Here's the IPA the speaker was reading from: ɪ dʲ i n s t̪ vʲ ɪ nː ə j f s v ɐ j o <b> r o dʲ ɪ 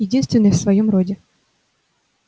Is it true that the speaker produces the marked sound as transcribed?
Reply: no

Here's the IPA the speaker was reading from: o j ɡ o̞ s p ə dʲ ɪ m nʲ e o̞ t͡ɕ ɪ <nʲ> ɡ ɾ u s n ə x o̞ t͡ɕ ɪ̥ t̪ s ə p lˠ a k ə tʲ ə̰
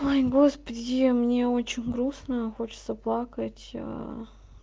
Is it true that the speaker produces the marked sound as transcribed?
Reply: yes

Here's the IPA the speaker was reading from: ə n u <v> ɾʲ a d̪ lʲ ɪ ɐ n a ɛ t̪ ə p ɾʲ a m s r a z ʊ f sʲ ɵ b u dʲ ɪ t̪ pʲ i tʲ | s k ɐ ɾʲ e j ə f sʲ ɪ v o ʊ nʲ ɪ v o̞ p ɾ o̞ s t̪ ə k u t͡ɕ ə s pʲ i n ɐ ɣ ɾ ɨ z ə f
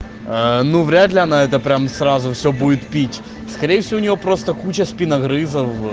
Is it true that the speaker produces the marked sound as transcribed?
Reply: yes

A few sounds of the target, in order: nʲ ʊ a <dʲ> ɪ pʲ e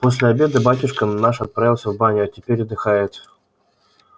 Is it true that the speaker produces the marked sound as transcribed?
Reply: no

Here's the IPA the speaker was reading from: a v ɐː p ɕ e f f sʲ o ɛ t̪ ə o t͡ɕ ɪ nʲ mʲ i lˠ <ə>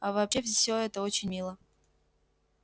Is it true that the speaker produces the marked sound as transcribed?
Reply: yes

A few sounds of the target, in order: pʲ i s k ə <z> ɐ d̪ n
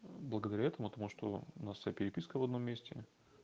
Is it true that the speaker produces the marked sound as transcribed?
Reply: no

